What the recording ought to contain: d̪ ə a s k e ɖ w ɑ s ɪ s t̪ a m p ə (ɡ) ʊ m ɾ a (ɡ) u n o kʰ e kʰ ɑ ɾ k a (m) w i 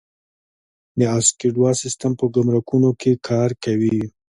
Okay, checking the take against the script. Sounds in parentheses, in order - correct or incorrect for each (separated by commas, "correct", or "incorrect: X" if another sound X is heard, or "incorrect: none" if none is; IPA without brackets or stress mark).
correct, incorrect: k, incorrect: none